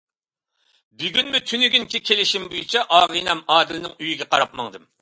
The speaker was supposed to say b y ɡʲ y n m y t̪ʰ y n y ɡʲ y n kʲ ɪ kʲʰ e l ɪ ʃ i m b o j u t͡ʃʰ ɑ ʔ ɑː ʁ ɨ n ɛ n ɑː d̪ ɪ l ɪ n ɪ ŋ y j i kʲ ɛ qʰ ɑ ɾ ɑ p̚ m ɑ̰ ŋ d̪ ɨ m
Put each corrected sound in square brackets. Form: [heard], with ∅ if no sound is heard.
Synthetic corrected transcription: b y ɡʲ y n m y t̪ʰ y n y ɡʲ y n kʲ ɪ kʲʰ e l ɪ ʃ i m b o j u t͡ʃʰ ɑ ʔ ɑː ʁ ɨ n ɛ [m] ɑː d̪ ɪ l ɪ n ɪ ŋ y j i [ɡʲ] ɛ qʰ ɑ ɾ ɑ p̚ m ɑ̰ ŋ d̪ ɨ m